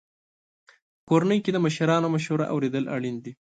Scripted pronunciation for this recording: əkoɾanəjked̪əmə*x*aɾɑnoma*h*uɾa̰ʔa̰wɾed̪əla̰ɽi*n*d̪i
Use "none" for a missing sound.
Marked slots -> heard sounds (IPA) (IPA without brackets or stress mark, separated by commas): ʃ, ʃ, n